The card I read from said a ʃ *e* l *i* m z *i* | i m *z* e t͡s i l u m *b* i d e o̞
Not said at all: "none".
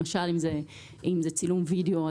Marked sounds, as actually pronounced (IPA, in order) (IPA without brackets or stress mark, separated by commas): a, i, e, z, v